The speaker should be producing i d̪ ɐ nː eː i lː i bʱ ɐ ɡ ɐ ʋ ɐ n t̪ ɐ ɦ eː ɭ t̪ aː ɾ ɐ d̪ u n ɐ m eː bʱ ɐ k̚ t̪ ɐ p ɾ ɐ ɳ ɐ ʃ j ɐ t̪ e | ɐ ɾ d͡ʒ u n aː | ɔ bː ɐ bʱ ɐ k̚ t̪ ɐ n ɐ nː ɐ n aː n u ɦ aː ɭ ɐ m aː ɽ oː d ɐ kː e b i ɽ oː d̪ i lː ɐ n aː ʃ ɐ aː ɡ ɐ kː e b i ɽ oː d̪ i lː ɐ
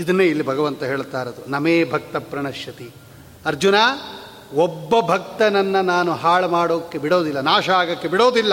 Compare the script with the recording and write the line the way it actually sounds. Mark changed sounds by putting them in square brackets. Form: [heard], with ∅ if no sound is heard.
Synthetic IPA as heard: i d̪ ɐ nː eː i lː i bʱ ɐ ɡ ɐ ʋ ɐ n t̪ ɐ ɦ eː ɭ t̪ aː ɾ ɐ d̪ u n ɐ m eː bʱ ɐ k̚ t̪ ɐ p ɾ ɐ ɳ ɐ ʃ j ɐ t̪ [i] | ɐ ɾ d͡ʒ u n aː | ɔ bː ɐ bʱ ɐ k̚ t̪ ɐ n ɐ nː ɐ n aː n u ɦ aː ɭ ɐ m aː ɽ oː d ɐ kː e b i ɽ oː d̪ i lː ɐ n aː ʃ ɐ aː ɡ ɐ kː e b i ɽ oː d̪ i lː ɐ